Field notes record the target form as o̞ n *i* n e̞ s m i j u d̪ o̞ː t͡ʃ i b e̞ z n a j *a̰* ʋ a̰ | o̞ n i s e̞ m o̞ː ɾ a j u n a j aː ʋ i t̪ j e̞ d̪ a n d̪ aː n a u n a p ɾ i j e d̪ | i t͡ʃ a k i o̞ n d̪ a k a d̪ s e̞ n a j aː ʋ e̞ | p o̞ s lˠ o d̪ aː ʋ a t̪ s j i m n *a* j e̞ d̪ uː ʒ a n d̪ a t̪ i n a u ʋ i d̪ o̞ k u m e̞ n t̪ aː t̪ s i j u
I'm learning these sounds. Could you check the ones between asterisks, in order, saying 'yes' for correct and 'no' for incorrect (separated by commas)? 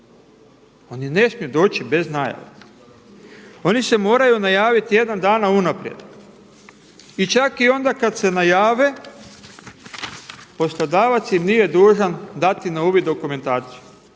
yes, yes, no